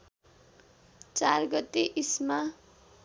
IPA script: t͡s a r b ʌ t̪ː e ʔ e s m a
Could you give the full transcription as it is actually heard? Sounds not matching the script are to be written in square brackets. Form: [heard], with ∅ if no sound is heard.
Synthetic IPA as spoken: t͡s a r [ɡ] ʌ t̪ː e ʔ [i] s m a